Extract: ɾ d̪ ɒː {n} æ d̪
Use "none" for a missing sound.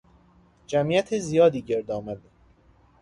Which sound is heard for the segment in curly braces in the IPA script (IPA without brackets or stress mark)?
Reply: m